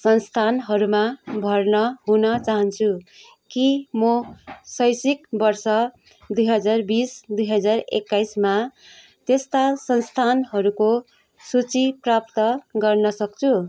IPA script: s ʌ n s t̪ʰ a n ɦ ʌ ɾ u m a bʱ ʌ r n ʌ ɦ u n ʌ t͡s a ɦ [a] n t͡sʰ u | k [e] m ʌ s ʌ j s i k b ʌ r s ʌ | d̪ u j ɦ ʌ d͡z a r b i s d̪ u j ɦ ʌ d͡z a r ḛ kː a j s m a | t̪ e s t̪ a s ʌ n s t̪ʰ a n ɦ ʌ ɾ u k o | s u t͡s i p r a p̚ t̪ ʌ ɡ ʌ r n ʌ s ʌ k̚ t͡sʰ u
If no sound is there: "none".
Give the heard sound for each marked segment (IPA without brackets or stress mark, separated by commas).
ʌ, i